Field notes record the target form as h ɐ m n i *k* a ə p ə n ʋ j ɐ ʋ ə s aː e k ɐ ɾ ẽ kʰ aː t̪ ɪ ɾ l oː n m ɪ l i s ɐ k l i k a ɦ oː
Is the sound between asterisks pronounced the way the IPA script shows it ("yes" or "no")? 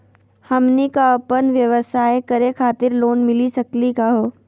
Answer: yes